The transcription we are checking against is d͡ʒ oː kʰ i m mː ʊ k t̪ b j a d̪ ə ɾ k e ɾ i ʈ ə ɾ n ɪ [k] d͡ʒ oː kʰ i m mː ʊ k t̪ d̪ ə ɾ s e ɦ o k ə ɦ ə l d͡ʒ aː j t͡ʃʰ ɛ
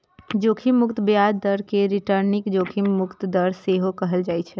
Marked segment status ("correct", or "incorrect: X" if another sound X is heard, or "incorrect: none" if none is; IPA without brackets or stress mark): correct